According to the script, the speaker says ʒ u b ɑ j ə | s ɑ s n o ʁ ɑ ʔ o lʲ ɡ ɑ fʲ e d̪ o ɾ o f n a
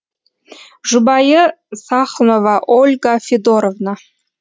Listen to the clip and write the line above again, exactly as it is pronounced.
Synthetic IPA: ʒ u b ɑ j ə | s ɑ χ n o v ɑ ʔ o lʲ ɡ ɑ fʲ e d̪ o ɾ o v n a